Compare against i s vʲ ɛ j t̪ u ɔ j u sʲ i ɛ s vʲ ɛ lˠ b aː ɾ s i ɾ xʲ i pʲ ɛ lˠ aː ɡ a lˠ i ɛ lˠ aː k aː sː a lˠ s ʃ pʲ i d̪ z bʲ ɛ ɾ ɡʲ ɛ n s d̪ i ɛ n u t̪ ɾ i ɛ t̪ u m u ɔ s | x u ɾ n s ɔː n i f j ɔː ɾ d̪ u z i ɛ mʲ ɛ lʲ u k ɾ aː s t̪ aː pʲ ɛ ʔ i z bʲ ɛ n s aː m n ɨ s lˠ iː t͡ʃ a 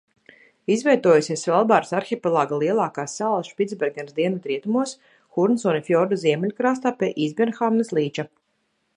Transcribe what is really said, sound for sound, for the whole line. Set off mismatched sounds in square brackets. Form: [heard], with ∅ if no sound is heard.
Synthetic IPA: i [z] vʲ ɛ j t̪ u ɔ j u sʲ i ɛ s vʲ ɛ lˠ b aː ɾ s [a] ɾ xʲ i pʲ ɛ lˠ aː ɡ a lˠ i ɛ lˠ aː k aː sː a lˠ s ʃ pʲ i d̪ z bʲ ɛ ɾ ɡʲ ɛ n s d̪ i ɛ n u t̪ ɾ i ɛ t̪ u m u ɔ s | x u ɾ n s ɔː n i f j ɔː ɾ d̪ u z i ɛ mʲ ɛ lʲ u k ɾ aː s t̪ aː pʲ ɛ ʔ i z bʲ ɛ n [x] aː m n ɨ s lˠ iː t͡ʃ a